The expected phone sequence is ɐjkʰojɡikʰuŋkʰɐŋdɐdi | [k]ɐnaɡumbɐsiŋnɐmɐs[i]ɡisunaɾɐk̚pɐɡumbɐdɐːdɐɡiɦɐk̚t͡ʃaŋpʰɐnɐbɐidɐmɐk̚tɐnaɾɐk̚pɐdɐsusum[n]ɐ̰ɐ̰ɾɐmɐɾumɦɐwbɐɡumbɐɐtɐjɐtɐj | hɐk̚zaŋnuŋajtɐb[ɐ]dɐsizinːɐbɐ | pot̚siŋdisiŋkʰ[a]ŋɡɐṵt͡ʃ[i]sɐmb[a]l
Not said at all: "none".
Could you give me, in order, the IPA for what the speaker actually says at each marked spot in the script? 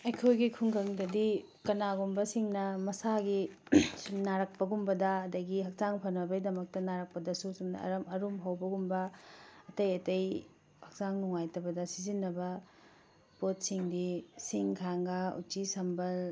k, a, n, ɐ, a, i, ɐ

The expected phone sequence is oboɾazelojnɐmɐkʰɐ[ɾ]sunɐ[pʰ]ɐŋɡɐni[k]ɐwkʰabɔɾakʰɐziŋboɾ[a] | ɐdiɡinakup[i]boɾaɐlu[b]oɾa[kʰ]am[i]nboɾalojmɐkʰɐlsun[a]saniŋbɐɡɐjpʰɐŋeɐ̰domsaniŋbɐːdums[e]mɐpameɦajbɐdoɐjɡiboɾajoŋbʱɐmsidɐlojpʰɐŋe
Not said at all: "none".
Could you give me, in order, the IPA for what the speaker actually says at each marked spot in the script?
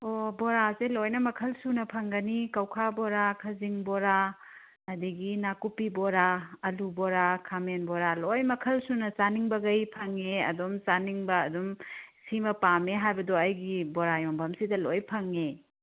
l, pʰ, k, a, i, b, kʰ, e, ɐ, i

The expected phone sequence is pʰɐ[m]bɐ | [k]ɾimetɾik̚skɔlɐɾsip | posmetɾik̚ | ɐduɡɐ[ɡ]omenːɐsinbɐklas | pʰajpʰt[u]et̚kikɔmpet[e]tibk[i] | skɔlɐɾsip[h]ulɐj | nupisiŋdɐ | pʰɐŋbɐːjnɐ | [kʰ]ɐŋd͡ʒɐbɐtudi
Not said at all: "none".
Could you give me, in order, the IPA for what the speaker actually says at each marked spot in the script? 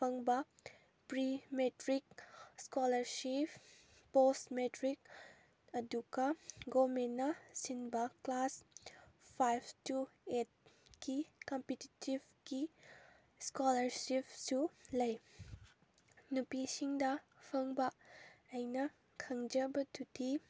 ŋ, p, ɡ, u, i, i, s, kʰ

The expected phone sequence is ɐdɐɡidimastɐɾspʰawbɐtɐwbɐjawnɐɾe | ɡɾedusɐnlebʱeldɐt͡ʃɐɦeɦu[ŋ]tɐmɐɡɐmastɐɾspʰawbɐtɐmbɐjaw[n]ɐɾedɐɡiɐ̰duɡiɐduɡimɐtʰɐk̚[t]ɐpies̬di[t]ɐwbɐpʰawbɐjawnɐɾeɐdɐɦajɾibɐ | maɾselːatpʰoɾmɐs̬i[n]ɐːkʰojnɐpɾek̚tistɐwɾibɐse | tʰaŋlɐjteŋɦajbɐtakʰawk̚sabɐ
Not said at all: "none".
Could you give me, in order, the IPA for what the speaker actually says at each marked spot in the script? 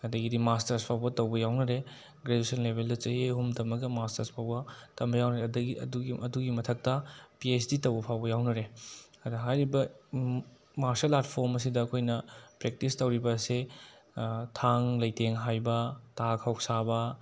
m, n, t, t, d

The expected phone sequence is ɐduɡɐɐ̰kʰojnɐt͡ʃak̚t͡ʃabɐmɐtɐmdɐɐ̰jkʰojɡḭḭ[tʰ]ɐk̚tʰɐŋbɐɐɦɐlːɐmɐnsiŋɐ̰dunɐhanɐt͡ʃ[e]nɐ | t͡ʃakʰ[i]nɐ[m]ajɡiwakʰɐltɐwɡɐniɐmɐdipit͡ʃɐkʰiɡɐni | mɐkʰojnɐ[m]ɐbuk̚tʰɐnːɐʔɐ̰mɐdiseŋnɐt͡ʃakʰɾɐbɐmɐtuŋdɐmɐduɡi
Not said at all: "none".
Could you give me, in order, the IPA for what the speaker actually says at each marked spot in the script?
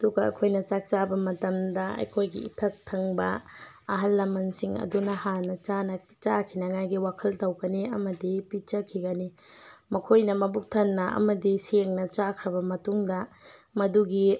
tʰ, a, i, ŋ, m

